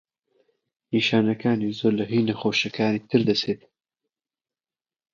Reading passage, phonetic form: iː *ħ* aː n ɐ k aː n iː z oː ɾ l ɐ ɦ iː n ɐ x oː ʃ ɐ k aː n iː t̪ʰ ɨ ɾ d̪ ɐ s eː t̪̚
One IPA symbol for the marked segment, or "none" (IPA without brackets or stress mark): ʃ